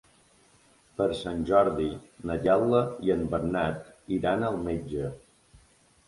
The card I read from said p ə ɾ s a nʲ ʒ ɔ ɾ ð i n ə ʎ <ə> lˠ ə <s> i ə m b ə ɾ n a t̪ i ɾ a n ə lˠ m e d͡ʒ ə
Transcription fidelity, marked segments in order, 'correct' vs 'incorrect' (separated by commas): incorrect, incorrect